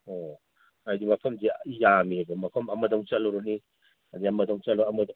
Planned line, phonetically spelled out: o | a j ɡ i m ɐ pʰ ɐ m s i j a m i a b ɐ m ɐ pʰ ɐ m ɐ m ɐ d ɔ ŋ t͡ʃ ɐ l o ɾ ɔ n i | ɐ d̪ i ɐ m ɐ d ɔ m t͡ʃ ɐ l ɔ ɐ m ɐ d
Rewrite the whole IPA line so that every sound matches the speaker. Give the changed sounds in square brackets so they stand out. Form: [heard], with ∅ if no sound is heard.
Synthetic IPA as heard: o | a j [d] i m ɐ pʰ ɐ m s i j a m i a b ɐ m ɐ pʰ ɐ m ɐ m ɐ d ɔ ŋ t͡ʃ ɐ l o ɾ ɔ n i | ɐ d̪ i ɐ m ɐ d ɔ [ŋ] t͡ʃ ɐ l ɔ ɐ m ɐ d